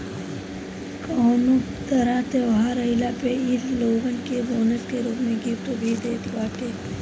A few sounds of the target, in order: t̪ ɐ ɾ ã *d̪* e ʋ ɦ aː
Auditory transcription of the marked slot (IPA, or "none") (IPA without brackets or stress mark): t̪